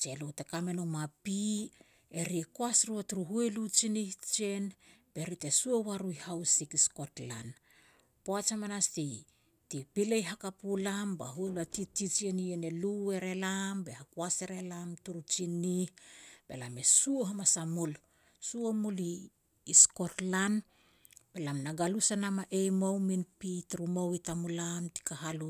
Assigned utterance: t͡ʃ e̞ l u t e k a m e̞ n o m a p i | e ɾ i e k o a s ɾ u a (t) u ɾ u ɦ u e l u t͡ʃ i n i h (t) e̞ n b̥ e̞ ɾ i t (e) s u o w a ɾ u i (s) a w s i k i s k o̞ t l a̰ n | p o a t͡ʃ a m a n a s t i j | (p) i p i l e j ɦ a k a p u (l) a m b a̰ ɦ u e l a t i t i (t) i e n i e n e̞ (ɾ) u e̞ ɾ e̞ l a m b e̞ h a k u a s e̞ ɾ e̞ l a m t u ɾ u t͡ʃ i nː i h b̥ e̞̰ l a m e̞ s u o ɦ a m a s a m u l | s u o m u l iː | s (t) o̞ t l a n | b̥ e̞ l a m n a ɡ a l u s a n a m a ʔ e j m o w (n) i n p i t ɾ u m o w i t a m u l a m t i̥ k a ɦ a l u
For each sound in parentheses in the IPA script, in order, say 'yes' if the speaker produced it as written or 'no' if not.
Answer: yes, no, yes, no, no, yes, no, no, no, no

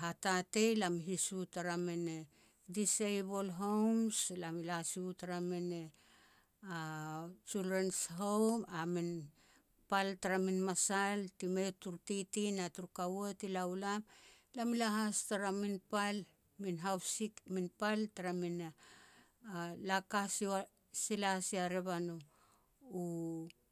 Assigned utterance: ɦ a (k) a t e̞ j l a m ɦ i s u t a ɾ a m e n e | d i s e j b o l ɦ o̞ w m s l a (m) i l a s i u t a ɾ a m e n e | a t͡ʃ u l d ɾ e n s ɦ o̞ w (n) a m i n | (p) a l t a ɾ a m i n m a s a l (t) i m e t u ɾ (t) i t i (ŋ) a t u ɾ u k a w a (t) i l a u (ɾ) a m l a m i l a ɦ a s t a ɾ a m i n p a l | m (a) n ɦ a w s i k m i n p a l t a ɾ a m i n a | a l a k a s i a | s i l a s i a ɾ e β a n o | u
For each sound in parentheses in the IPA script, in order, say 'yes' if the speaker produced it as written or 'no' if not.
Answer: no, yes, no, yes, yes, yes, no, yes, no, no

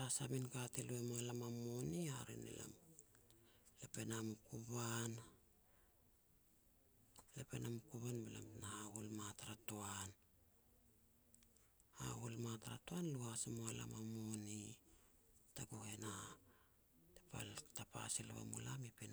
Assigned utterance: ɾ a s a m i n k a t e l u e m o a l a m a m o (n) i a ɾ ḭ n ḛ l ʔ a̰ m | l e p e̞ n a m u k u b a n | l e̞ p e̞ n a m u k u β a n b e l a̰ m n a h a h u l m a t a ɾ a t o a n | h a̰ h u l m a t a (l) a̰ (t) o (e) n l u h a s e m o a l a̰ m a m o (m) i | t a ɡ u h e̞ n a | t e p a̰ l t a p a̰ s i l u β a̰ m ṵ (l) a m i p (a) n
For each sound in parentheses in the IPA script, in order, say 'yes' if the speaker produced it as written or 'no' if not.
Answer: yes, no, yes, no, no, yes, no

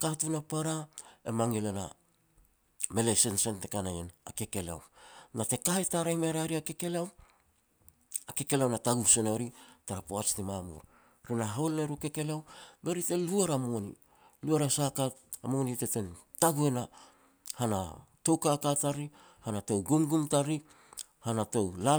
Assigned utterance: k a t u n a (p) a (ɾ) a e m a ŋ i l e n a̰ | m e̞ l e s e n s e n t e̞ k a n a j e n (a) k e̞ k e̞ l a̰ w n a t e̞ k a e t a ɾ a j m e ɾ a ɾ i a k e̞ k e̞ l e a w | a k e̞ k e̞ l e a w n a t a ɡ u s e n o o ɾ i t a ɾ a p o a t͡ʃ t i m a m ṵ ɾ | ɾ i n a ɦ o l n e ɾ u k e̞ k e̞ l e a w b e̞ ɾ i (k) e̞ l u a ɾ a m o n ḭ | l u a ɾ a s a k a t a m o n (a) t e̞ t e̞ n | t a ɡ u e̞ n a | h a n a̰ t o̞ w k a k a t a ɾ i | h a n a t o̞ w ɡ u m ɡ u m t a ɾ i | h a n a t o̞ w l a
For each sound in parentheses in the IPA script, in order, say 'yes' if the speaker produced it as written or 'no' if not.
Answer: yes, yes, yes, no, no

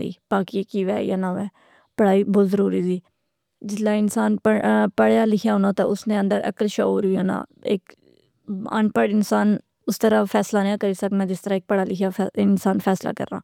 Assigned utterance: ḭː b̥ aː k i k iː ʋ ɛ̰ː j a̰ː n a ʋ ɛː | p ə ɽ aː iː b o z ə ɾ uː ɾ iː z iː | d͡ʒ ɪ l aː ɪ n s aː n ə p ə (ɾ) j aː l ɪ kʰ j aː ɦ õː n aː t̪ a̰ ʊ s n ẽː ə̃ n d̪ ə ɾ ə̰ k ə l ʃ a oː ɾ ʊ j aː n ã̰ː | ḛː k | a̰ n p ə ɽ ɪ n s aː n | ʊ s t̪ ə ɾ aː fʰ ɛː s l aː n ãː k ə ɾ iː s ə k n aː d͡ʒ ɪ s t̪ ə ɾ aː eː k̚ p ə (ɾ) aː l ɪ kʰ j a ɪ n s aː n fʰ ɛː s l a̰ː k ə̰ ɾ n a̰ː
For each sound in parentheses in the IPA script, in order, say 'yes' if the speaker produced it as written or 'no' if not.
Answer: no, no

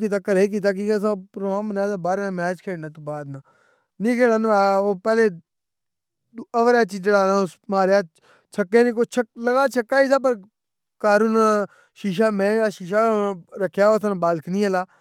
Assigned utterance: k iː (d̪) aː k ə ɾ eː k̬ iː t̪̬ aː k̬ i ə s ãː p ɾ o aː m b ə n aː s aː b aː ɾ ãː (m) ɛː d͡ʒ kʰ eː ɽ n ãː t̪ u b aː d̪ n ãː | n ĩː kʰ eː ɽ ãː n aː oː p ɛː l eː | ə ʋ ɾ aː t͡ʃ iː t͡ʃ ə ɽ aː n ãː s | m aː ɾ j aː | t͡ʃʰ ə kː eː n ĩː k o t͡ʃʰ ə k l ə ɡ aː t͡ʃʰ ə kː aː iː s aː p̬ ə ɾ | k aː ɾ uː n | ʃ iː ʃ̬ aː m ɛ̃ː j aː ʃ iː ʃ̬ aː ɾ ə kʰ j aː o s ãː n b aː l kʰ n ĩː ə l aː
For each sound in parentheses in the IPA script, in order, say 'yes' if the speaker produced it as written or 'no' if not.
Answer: no, yes

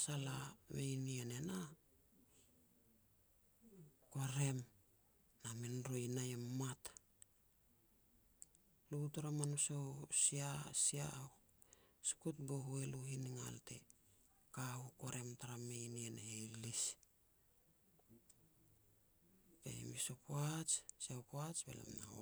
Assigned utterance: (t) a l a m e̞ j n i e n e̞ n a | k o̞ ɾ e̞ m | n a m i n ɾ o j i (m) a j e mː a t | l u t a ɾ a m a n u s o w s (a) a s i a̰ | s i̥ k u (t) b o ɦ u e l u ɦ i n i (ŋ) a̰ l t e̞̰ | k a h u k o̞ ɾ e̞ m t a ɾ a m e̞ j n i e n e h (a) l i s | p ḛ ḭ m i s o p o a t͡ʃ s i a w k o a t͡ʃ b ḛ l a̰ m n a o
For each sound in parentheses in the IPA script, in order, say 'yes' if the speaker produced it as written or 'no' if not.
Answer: no, no, no, yes, yes, no

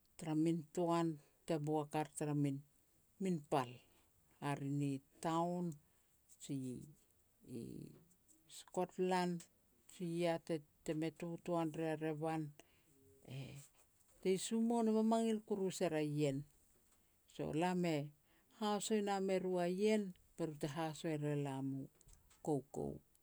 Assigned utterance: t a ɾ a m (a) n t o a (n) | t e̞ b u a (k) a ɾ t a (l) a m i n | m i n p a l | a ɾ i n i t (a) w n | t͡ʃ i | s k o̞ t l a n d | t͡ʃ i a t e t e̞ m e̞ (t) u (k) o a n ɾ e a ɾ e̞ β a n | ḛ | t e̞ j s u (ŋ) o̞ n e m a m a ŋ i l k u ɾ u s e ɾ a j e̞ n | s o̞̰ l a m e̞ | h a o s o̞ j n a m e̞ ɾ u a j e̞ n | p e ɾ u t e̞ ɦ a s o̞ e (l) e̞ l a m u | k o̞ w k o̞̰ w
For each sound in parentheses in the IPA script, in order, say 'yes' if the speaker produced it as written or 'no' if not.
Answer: no, yes, yes, no, yes, yes, no, no, no

